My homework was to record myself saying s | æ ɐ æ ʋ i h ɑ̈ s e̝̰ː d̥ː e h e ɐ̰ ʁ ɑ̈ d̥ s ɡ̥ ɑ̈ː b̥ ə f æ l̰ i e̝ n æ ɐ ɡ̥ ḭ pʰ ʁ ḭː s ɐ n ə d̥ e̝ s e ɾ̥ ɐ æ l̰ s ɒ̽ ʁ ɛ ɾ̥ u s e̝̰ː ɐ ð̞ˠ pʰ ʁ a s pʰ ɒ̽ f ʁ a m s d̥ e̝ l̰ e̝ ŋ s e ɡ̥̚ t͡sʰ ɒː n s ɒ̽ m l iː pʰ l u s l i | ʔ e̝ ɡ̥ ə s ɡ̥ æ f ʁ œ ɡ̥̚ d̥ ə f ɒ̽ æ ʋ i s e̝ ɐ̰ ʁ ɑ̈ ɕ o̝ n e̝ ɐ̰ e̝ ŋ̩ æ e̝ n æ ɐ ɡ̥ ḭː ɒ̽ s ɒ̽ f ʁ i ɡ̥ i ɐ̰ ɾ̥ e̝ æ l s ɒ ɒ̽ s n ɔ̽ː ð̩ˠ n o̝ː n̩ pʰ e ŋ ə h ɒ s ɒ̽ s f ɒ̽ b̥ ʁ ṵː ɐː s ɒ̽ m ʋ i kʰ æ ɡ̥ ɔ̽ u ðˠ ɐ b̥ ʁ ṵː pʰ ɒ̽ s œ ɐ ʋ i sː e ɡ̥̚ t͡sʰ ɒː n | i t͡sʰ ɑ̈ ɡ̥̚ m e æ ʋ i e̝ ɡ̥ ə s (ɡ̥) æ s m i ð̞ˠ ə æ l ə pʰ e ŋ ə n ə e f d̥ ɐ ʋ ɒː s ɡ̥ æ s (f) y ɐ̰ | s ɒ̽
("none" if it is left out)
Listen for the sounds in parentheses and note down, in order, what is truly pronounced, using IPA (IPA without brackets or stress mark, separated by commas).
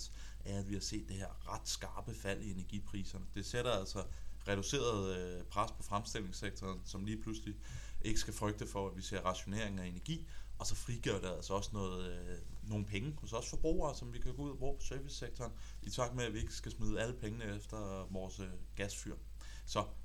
ɡ̥, f